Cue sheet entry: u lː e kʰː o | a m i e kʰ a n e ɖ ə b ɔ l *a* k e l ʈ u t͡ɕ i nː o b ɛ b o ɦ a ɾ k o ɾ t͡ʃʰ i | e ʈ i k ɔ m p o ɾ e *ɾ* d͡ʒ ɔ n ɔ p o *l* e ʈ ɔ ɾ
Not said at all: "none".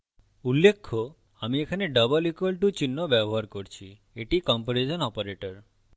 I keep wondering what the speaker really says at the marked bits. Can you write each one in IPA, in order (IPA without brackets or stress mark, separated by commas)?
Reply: i, none, ɾ